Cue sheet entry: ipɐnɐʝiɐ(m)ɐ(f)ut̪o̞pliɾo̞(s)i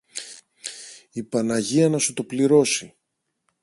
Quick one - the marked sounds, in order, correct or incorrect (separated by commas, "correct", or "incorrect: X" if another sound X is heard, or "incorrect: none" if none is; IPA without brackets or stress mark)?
incorrect: n, incorrect: s, correct